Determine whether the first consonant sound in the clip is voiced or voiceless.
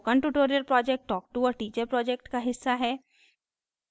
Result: voiceless